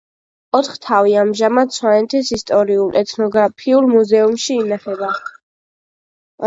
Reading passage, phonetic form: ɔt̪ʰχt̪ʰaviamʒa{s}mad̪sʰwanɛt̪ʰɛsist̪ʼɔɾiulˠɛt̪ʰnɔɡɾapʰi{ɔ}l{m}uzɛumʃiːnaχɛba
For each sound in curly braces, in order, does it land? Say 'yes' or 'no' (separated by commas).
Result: no, no, yes